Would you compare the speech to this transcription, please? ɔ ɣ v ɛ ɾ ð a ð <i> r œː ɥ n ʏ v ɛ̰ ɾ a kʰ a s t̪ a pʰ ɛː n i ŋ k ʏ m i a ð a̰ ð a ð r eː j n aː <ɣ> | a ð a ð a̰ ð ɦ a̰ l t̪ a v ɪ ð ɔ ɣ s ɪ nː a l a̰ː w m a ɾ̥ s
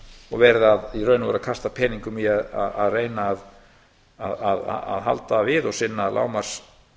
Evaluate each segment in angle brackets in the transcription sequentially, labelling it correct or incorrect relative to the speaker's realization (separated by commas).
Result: correct, incorrect